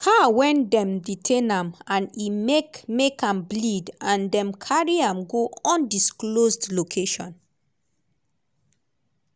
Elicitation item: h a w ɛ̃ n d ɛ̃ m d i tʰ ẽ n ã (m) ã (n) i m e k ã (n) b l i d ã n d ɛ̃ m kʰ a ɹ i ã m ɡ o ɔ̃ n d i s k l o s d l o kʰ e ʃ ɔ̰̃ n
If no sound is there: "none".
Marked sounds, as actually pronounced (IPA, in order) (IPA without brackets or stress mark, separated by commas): m, n, m